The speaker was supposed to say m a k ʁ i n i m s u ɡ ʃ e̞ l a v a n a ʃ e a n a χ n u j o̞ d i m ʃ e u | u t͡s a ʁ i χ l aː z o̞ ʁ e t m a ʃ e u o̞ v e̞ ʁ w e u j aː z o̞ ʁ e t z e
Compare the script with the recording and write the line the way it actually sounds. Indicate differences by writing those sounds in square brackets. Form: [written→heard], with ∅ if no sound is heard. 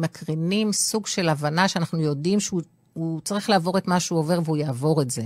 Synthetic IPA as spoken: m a k ʁ i n i m s u ɡ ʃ e̞ l a v a n a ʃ e a n a χ n u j o̞ d i m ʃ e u | u t͡s a ʁ i χ l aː [z→v] o̞ ʁ e t m a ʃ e u o̞ v e̞ ʁ [w→v] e u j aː [z→v] o̞ ʁ e t z e